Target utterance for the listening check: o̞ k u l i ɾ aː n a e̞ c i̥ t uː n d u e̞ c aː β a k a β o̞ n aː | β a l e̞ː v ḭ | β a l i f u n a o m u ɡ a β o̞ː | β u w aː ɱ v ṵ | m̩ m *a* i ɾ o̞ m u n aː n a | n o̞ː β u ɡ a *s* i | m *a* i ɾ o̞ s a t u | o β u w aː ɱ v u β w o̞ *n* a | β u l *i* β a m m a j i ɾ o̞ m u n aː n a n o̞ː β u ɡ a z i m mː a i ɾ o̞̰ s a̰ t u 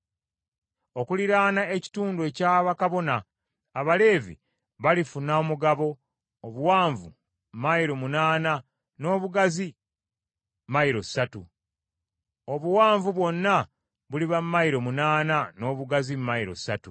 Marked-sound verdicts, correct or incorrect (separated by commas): correct, incorrect, correct, incorrect, correct